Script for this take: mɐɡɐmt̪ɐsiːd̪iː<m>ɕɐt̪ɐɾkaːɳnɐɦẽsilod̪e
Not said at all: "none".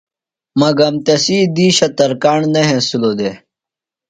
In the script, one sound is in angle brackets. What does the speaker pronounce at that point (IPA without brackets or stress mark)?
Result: none